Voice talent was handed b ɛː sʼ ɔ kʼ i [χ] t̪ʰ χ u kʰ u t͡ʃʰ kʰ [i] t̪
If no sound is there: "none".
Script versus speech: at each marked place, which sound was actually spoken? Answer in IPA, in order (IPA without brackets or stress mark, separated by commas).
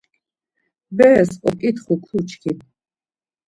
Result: none, i